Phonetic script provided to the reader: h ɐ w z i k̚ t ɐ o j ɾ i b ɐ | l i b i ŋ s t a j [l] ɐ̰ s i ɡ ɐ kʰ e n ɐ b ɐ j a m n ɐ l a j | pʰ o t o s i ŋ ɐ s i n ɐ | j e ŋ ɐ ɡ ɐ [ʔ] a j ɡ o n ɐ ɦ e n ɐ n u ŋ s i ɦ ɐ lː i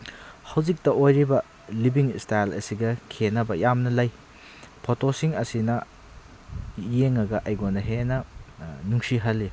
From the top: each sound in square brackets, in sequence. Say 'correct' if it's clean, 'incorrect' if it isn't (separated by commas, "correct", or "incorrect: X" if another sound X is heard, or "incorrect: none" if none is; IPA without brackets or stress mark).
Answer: correct, correct